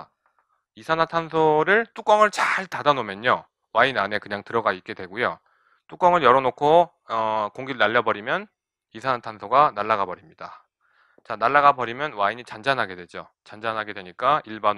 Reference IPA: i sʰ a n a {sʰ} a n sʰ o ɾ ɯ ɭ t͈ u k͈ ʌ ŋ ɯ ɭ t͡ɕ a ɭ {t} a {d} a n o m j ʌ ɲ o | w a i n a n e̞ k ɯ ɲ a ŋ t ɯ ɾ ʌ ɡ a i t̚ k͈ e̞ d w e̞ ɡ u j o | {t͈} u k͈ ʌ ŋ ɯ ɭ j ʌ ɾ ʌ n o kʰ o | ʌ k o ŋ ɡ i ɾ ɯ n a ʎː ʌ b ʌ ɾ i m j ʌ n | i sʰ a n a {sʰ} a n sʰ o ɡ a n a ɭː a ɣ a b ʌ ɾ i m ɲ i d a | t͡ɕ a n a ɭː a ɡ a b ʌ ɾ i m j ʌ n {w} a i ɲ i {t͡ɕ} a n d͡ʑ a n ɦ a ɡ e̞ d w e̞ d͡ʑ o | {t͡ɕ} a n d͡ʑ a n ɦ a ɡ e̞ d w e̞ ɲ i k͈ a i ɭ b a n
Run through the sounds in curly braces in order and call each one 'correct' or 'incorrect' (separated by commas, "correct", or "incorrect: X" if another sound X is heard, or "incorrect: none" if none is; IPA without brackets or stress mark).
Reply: incorrect: tʰ, correct, correct, correct, incorrect: tʰ, correct, correct, correct